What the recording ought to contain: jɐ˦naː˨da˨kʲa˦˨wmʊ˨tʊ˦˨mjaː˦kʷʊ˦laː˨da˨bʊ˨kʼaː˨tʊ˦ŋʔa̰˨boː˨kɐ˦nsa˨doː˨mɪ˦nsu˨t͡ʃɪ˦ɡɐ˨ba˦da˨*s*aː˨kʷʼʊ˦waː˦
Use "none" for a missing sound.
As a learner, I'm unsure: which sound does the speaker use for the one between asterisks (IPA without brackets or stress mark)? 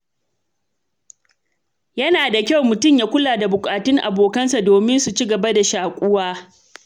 ʃ